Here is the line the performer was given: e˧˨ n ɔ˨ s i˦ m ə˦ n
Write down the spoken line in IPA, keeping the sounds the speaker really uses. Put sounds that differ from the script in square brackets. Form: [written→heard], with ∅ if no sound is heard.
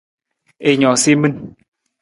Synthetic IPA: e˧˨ [n→ɲ] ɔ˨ s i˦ m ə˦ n